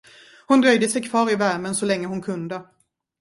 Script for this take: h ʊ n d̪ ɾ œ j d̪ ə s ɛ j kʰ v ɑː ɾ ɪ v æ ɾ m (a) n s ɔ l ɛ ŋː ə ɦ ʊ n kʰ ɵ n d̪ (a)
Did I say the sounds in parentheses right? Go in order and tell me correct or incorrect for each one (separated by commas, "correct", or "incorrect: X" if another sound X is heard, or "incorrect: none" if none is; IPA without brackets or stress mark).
incorrect: ə, incorrect: ə